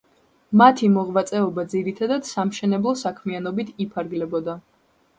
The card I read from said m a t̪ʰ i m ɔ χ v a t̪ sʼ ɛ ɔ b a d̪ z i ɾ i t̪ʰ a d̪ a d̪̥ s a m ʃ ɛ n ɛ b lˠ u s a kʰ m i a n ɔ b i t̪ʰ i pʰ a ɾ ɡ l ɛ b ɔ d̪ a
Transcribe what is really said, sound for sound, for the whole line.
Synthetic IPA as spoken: m a t̪ʰ i m ɔ ʁ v a t̪ sʼ ɛ ɔ b a d̪ z i ɾ i t̪ʰ a d̪ a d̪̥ s a m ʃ ɛ n ɛ b lˠ ɔ s a kʰ m i a n ɔ b i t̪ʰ i pʰ a ɾ ɡ l ɛ b ɔ d̪ a